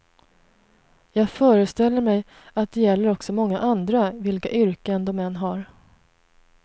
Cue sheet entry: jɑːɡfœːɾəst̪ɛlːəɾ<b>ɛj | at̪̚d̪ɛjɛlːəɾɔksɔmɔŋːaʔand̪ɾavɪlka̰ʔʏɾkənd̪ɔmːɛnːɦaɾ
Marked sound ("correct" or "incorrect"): incorrect